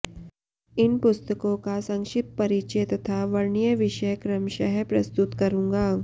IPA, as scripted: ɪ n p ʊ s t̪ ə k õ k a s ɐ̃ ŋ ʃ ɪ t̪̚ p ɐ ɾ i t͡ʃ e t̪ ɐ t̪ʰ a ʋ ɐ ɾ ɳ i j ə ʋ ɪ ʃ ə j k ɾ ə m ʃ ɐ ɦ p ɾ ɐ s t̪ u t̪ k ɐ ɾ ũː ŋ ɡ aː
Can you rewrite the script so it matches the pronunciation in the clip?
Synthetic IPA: ɪ n p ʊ s t̪ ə k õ k a s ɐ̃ ŋ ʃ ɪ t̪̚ p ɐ ɾ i t͡ʃ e t̪ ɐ t̪ʰ a ʋ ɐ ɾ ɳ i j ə ʋ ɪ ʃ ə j k ɾ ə m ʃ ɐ ɦ p ɾ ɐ s t̪ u t̪ k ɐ ɾ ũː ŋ ɡ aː